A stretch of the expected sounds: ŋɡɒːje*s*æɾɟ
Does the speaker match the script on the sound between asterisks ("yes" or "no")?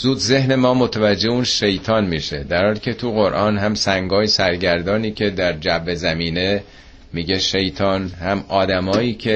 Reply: yes